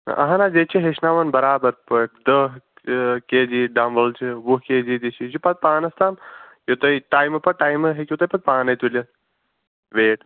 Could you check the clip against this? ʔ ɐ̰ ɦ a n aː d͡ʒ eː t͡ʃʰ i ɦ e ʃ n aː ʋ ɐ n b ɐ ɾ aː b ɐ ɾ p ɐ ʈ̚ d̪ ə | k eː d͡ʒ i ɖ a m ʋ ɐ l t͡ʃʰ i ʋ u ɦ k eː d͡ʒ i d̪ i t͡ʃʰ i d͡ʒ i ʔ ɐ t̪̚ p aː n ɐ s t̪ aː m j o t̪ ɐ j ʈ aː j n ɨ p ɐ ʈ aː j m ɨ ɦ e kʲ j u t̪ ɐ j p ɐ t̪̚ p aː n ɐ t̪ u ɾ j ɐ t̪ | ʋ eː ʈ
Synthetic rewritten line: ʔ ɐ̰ ɦ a n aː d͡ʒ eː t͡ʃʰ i ɦ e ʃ n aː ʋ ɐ n b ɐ ɾ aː b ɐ ɾ p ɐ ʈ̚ d̪ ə | k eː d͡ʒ i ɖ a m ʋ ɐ l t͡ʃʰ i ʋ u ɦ k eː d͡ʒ i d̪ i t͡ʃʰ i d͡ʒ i p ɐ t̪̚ p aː n ɐ s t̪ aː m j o t̪ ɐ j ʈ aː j m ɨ p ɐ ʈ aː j m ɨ ɦ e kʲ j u t̪ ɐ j p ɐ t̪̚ p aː n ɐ t̪ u l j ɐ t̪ | ʋ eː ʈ